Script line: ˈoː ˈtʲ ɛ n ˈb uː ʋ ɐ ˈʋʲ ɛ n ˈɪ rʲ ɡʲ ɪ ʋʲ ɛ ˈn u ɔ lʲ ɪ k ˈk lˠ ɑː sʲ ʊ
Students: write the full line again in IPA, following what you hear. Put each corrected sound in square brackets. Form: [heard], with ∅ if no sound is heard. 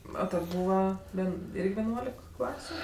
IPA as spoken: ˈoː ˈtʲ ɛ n ˈb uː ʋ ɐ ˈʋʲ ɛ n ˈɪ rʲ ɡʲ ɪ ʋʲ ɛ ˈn u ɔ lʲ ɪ k ˈk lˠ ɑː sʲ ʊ